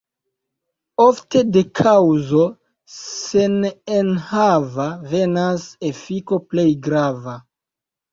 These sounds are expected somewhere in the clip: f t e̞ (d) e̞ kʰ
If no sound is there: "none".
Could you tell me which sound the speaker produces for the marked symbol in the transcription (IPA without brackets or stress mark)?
d